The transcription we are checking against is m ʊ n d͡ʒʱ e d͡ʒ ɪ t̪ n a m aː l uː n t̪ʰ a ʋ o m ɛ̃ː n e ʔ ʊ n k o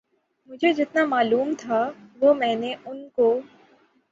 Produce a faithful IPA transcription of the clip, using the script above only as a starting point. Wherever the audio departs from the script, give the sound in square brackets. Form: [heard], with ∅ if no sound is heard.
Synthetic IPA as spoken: m ʊ [∅] d͡ʒʱ e d͡ʒ ɪ t̪ n a m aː l uː [m] t̪ʰ a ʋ o m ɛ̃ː n e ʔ ʊ n k o

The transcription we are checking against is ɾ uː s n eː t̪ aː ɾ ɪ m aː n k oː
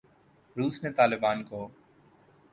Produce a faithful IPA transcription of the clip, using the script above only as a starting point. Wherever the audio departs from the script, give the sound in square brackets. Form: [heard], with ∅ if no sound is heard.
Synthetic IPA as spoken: ɾ uː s n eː t̪ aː [l] ɪ [b] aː n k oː

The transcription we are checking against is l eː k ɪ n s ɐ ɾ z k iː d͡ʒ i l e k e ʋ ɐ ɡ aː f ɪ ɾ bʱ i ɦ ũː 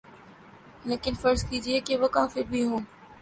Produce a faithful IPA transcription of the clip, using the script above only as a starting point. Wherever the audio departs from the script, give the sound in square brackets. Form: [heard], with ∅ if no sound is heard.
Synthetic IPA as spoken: l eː k ɪ n [f] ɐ ɾ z k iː d͡ʒ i [∅] e k e ʋ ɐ [k] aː f ɪ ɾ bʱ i ɦ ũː

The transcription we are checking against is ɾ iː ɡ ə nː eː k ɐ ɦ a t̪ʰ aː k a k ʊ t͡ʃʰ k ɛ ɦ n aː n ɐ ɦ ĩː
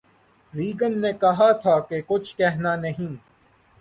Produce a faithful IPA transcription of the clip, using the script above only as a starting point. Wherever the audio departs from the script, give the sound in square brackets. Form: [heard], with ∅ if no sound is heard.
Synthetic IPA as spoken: ɾ iː ɡ ə nː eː k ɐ ɦ a t̪ʰ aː k [e] k ʊ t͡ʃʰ k ɛ ɦ n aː n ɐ ɦ ĩː

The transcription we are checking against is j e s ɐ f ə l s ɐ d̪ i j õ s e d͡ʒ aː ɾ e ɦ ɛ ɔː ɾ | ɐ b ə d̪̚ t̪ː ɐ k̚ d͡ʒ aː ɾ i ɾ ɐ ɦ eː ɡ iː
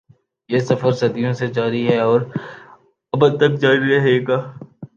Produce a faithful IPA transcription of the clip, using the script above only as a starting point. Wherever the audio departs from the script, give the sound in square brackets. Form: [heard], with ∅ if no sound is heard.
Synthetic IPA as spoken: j e s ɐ f ə [ɾ] s ɐ d̪ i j õ s e d͡ʒ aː ɾ [i] ɦ ɛ ɔː ɾ | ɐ b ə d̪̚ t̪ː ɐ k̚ d͡ʒ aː ɾ i ɾ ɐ ɦ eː ɡ [aː]

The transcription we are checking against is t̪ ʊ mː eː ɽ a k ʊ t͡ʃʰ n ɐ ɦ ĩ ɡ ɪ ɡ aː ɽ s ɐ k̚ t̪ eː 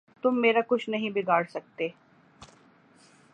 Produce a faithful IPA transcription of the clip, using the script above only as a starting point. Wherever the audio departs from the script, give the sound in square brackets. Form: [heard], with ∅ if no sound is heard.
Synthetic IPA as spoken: t̪ ʊ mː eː [ɾ] a k ʊ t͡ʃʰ n ɐ ɦ ĩ [b] ɪ ɡ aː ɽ s ɐ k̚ t̪ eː

